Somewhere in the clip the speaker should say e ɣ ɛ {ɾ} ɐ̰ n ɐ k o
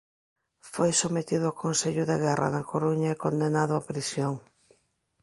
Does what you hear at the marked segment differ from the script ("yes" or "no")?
yes